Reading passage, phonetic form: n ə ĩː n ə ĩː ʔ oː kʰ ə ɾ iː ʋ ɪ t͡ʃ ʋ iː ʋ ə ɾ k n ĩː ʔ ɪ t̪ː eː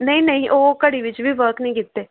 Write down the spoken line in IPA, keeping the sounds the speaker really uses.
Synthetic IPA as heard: n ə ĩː n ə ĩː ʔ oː k ə ɽ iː ʋ ɪ t͡ʃ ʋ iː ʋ ə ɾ k n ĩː k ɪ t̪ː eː